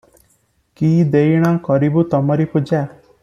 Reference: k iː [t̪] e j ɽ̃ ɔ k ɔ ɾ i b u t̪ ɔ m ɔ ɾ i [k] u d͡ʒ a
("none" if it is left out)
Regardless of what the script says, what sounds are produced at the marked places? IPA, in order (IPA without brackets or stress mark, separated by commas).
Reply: d̪, p